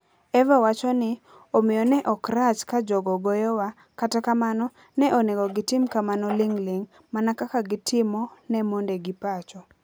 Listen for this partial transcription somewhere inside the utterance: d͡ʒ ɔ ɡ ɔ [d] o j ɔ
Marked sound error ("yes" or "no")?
yes